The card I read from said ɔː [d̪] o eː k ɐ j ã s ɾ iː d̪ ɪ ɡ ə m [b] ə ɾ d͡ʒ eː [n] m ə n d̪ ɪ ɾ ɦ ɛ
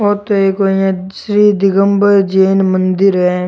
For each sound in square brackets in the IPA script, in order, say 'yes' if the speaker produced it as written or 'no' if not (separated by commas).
no, yes, yes